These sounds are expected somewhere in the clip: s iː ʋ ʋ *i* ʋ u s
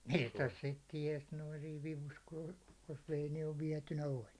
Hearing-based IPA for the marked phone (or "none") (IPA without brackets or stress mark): i